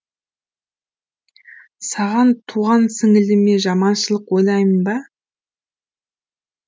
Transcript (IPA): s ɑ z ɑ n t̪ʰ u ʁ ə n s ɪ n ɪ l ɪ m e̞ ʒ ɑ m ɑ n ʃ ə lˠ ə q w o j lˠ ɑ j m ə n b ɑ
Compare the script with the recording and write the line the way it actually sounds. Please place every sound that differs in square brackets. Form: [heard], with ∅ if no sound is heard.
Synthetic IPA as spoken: s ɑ [ʁ] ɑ n t̪ʰ u ʁ [ɑ] n s ɪ [ŋ] ɪ l ɪ m e̞ ʒ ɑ m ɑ n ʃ ə lˠ ə q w o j lˠ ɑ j m ə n b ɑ